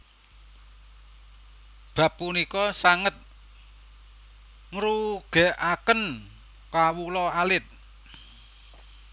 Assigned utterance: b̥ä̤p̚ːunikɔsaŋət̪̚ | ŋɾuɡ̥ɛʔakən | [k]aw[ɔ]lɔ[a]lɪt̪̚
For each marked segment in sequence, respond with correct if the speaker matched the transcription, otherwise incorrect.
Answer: correct, incorrect: u, correct

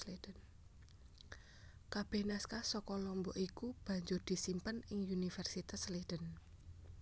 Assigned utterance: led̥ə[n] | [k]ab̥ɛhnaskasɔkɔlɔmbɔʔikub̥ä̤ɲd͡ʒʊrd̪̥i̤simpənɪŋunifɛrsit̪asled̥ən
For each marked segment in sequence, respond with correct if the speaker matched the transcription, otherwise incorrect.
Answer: correct, correct

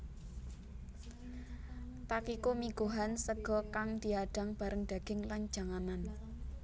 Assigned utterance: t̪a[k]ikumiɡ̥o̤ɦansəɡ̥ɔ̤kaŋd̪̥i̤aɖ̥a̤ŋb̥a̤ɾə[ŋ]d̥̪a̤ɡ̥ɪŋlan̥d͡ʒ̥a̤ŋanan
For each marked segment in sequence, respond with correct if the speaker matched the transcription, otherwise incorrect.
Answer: correct, correct

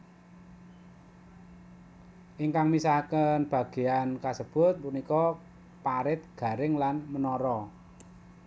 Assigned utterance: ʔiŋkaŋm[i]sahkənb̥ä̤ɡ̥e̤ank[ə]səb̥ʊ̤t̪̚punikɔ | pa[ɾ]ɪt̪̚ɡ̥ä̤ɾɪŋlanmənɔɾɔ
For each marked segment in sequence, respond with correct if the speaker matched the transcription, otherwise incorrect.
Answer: correct, incorrect: a, correct

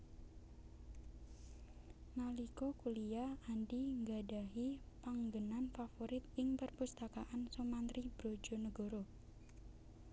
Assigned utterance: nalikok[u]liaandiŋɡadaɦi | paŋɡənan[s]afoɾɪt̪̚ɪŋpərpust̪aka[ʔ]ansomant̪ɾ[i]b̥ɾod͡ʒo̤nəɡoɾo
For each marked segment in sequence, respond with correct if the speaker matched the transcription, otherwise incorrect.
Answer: correct, incorrect: f, correct, correct

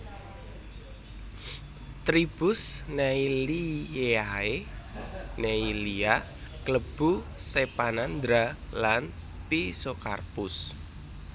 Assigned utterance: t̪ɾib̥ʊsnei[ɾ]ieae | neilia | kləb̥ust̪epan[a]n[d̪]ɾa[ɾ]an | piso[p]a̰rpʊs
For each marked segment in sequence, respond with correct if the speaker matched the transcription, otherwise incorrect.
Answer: incorrect: l, correct, correct, incorrect: l, incorrect: k

